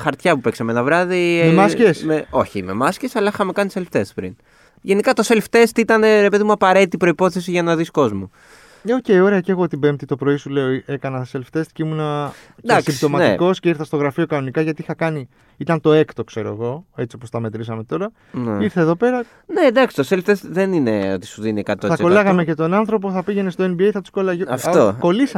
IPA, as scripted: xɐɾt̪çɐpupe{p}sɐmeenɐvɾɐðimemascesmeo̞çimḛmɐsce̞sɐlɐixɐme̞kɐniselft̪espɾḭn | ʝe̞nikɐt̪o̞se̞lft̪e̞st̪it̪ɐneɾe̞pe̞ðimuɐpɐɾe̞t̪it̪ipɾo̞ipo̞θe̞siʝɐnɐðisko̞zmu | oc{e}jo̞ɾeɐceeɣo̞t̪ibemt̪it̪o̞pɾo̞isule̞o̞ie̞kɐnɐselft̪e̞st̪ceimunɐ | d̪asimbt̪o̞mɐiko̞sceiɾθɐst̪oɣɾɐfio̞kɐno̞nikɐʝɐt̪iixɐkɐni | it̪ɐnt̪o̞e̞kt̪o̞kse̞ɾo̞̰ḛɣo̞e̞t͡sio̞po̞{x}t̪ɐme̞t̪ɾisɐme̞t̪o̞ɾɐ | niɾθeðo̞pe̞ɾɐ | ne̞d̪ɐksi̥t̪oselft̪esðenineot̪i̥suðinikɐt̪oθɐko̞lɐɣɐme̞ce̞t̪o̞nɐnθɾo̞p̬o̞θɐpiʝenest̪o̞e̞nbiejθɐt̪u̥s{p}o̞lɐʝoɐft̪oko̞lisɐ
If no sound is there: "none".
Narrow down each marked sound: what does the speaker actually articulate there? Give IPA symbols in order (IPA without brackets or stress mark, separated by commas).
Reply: k, e, s, k